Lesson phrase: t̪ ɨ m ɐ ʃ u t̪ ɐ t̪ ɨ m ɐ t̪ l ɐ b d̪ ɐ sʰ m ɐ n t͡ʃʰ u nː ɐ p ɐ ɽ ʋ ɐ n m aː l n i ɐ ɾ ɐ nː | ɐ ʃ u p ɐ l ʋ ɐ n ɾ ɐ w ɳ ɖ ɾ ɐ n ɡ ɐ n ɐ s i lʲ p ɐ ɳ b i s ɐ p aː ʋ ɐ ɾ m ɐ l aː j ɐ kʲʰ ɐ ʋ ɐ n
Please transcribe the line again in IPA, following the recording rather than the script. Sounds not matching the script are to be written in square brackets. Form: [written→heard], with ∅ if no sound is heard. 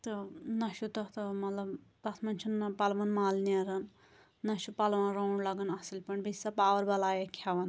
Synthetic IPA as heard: t̪ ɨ [m→n] ɐ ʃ u t̪ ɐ t̪ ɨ m ɐ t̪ l ɐ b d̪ ɐ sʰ m ɐ n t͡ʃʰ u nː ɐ p ɐ [ɽ→l] ʋ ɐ n m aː l n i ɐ ɾ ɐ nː | ɐ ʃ u p ɐ l ʋ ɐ n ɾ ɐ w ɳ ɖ [ɾ→l] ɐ [n→∅] ɡ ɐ n ɐ s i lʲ p ɐ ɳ b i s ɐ p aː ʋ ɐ ɾ [m→b] ɐ l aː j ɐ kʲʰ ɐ ʋ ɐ n